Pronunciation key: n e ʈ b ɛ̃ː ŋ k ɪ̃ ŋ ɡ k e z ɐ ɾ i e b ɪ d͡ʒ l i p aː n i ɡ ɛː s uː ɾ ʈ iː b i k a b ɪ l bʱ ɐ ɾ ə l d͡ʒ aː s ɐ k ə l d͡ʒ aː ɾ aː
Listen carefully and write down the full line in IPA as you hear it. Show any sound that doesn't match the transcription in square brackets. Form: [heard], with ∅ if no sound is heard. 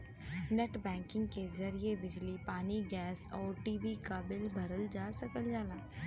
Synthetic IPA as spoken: n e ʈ b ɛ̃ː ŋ k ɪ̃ ŋ ɡ k e z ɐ ɾ i e b ɪ d͡ʒ l i p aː n i ɡ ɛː s [ɔː] ɾ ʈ iː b i k a b ɪ l bʱ ɐ ɾ ə l d͡ʒ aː s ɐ k ə l d͡ʒ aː [l] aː